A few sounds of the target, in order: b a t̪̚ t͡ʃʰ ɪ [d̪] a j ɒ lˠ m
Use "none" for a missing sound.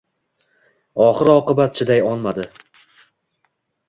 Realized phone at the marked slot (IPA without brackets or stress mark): d̪